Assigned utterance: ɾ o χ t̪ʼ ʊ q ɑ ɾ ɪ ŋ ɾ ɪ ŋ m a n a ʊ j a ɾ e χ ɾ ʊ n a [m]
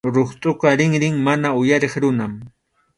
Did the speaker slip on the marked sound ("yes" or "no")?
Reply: no